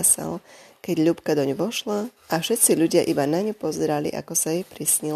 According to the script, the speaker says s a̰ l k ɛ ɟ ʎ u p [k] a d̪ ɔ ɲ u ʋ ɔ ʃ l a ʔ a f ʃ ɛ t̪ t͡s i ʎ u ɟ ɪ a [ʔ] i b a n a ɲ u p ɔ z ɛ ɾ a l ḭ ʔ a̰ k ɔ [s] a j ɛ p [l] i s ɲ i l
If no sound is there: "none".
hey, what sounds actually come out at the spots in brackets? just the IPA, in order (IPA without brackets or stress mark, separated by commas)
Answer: k, ʔ, s, ɾ